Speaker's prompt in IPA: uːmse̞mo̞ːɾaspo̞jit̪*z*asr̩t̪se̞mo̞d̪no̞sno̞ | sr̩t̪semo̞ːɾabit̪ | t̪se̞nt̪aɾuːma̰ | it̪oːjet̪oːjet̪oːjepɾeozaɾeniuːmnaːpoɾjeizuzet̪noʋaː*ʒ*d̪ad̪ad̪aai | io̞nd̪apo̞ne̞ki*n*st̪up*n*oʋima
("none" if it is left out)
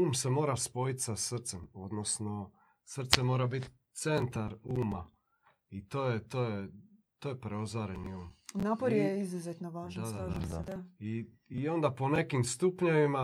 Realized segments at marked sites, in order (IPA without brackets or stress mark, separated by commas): s, ʒ, m, ɲ